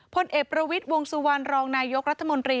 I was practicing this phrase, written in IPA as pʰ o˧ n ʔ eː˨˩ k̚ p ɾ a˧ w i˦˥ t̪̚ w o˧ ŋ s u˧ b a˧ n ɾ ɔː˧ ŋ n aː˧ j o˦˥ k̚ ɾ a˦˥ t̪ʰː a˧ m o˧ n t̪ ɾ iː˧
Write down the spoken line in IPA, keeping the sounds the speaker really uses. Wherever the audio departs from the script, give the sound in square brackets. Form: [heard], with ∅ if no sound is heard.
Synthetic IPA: pʰ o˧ n ʔ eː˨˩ k̚ p ɾ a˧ w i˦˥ t̪̚ w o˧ ŋ s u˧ [w] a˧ n ɾ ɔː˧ ŋ n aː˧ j o˦˥ k̚ ɾ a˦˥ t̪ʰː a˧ m o˧ n t̪ ɾ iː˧